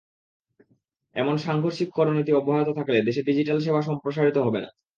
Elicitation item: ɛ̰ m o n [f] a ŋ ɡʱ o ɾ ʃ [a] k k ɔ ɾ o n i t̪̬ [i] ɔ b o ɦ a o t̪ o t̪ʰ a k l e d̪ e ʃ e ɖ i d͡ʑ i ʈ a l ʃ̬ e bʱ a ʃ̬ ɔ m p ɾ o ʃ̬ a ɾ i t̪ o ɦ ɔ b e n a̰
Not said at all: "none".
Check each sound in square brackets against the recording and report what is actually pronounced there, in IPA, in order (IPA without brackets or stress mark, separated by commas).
ʃ, i, i